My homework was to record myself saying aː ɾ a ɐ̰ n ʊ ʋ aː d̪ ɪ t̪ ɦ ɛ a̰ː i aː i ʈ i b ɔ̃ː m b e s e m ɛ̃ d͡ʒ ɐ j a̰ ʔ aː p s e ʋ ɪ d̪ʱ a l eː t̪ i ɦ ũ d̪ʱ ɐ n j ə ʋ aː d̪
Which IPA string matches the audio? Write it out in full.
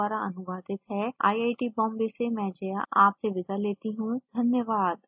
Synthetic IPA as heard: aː ɾ a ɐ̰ n ʊ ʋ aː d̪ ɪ t̪ ɦ ɛ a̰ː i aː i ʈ i b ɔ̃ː m b e s e m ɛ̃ d͡ʒ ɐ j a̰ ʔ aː p s e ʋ ɪ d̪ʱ a l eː t̪ i ɦ ũ d̪ʱ ɐ n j ə ʋ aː d̪